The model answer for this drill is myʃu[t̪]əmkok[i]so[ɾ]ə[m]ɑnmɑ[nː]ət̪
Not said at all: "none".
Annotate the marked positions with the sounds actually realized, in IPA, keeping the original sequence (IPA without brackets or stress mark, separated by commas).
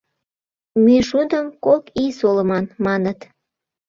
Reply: d̪, i, l, m, n